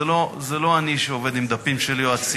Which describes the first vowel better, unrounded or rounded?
rounded